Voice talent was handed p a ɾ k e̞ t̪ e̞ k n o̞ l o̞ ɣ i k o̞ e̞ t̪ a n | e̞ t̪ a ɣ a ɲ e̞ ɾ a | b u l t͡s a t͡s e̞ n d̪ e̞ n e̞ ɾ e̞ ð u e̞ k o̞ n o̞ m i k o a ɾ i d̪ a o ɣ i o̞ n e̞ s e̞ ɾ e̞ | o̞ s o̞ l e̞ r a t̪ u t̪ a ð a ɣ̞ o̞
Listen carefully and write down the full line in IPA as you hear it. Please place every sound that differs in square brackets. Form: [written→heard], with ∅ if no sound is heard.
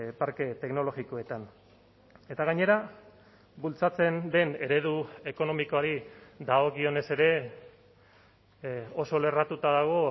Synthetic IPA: p a ɾ k e̞ t̪ e̞ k n o̞ l o̞ ɣ i k o̞ e̞ t̪ a n | e̞ t̪ a ɣ a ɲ e̞ ɾ a | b u l t͡s a t͡s e̞ n d̪ e̞ n e̞ ɾ e̞ ð u e̞ k o̞ n o̞ m i k o a ɾ i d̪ a o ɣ i o̞ n e̞ s e̞ ɾ e̞ | o̞ s o̞ l e̞ r a t̪ u t̪ a ð a ɣ̞ o̞